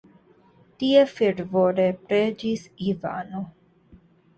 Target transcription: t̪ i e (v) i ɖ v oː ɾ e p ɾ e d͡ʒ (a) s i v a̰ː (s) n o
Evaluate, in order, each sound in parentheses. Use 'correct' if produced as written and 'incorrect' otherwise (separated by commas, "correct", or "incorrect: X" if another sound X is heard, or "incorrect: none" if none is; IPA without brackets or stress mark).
incorrect: f, incorrect: i, incorrect: none